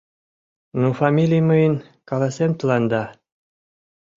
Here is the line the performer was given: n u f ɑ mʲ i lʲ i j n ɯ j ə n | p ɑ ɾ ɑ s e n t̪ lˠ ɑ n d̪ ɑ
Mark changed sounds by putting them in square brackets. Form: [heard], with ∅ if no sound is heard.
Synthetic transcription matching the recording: n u f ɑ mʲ i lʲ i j [m] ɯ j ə n | [k] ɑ [l] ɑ s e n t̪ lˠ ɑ n d̪ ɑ